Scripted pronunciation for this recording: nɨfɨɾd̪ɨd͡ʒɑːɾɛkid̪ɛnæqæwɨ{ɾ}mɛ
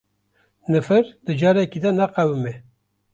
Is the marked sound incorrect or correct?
incorrect